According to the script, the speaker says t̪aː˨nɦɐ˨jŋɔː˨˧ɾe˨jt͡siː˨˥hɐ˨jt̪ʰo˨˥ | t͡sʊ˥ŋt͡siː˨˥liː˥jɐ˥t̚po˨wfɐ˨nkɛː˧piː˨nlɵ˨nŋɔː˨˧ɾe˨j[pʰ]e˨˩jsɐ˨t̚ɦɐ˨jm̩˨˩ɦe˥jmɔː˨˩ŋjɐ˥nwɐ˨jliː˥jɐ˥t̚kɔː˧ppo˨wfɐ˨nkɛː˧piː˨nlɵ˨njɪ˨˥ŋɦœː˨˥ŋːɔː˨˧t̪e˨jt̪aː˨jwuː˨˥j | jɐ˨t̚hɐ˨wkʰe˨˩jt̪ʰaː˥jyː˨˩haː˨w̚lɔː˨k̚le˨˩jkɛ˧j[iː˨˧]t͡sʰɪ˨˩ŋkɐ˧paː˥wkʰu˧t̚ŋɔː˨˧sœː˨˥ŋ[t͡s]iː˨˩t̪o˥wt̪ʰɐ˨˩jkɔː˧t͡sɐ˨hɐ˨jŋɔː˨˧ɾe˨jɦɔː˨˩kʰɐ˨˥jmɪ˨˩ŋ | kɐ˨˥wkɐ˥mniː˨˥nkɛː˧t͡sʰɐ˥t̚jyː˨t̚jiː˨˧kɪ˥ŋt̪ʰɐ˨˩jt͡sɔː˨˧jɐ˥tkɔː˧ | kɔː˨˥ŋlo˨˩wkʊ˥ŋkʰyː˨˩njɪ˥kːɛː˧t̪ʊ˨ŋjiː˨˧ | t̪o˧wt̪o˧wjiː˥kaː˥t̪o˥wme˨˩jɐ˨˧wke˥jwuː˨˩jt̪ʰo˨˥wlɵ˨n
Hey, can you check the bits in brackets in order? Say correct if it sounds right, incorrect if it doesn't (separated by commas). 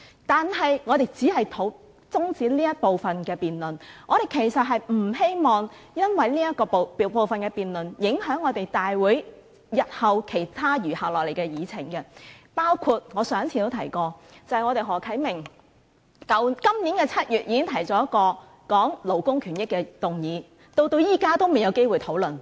incorrect, correct, incorrect